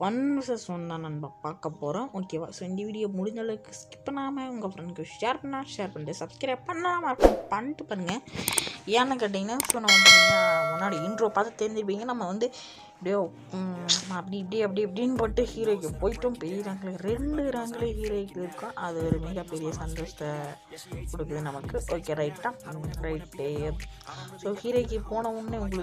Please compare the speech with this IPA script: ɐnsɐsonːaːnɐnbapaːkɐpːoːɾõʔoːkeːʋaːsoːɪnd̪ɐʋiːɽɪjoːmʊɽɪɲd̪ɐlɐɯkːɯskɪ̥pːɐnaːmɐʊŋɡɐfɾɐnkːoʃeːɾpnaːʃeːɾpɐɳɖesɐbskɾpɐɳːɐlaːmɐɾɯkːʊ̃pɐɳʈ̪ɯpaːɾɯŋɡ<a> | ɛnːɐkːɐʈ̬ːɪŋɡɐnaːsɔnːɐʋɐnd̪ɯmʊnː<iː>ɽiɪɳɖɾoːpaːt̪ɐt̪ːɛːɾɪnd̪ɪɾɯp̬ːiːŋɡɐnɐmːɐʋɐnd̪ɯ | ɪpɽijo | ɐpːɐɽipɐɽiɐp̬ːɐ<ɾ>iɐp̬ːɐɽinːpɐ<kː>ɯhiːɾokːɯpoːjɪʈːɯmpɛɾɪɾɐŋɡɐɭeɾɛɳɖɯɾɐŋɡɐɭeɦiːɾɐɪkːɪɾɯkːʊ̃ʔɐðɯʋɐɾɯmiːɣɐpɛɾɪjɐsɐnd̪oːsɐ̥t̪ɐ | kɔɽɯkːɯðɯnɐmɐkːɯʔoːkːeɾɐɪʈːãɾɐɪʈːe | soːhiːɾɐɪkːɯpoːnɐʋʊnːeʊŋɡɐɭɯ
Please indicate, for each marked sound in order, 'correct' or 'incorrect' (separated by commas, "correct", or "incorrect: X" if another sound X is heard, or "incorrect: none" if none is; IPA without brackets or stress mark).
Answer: incorrect: ɐ, incorrect: aː, incorrect: ɽ, incorrect: ʈː